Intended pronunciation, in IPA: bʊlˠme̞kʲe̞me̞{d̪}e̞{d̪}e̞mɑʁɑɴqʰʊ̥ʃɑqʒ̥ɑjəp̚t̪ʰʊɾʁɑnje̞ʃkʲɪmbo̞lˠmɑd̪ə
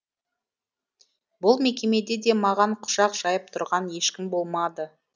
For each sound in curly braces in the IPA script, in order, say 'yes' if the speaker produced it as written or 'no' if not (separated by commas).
yes, yes